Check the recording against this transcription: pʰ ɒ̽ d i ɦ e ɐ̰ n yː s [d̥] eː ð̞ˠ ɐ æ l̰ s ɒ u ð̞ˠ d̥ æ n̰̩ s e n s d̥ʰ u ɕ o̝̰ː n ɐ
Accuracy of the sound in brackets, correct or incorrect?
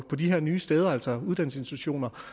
correct